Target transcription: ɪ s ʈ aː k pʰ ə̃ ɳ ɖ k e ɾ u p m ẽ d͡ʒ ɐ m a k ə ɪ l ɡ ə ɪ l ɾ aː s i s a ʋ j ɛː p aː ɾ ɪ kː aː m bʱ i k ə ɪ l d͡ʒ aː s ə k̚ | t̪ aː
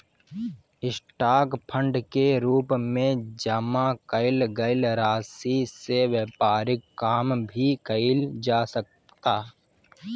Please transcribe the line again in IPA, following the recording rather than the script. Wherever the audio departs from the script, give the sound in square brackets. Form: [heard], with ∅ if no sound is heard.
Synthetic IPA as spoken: ɪ s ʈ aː k pʰ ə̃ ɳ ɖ k e ɾ [uː] p m ẽ d͡ʒ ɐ m a k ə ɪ l ɡ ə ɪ l ɾ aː s i s [e] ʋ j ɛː p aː ɾ ɪ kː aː m bʱ i k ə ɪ l d͡ʒ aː s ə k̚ | t̪ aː